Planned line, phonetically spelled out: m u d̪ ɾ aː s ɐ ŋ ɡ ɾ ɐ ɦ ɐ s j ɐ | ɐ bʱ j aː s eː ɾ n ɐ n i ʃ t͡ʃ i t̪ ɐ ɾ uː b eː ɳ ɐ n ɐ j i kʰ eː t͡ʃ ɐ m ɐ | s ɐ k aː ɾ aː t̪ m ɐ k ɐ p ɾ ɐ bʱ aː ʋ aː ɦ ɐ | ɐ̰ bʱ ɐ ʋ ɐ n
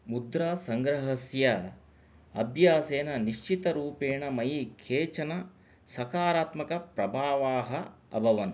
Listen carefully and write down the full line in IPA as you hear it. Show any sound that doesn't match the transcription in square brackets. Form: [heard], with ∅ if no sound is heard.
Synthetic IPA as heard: m u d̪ ɾ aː s ɐ ŋ ɡ ɾ ɐ ɦ ɐ s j ɐ | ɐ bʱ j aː s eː [∅] n ɐ n i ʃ t͡ʃ i t̪ ɐ ɾ uː [p] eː ɳ ɐ [m] ɐ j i kʰ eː t͡ʃ ɐ [n] ɐ | s ɐ k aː ɾ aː t̪ m ɐ k ɐ p ɾ ɐ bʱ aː ʋ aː ɦ ɐ | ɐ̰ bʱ ɐ ʋ ɐ n